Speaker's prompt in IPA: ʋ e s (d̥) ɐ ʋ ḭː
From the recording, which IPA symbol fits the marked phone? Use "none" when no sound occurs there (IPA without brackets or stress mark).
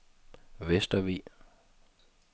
d̥